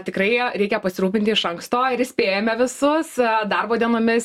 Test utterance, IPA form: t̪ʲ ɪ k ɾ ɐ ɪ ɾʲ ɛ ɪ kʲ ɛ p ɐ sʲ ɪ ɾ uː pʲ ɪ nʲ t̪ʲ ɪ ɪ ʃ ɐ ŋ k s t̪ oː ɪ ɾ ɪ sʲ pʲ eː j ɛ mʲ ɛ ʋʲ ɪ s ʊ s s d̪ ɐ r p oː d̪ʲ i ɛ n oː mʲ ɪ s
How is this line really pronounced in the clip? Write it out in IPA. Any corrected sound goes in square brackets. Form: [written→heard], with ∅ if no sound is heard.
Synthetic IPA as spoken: t̪ʲ ɪ k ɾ ɐ ɪ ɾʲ ɛ ɪ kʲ ɛ p ɐ sʲ ɪ ɾ uː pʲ ɪ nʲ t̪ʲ ɪ ɪ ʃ ɐ ŋ k s t̪ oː ɪ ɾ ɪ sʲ pʲ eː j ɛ mʲ ɛ ʋʲ ɪ s ʊ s s d̪ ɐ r [p→b] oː d̪ʲ i ɛ n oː mʲ ɪ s